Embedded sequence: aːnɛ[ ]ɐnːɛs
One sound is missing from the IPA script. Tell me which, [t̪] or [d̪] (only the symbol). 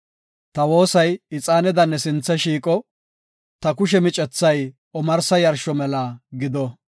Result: d̪